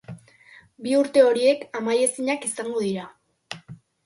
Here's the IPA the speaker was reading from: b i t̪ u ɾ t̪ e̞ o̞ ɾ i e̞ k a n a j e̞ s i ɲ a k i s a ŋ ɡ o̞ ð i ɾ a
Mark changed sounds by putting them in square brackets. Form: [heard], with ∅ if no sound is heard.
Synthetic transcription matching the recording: b i [∅] u ɾ t̪ e̞ o̞ ɾ i e̞ k a [m] a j e̞ s i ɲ a k i s a ŋ ɡ o̞ ð i ɾ a